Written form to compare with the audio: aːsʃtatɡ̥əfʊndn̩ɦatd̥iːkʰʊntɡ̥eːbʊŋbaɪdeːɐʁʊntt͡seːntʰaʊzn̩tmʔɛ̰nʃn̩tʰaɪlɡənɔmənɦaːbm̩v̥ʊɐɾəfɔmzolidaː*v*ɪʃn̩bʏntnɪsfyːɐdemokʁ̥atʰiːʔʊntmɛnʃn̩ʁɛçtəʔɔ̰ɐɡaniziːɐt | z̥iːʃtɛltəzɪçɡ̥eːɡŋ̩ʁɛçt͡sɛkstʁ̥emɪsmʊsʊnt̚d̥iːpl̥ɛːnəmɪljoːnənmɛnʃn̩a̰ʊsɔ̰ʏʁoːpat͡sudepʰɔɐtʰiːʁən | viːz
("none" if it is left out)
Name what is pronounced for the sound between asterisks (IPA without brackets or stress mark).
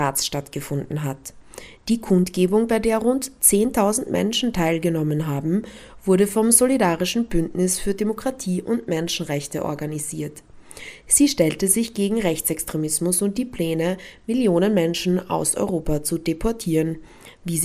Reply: ʁ